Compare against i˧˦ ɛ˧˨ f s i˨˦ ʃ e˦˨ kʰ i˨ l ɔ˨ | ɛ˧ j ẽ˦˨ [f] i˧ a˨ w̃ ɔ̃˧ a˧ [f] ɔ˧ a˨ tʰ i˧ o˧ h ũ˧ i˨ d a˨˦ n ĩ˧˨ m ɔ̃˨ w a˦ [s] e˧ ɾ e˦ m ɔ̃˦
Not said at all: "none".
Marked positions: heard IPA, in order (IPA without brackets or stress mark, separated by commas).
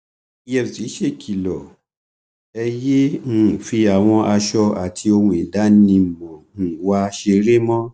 f, ʃ, ʃ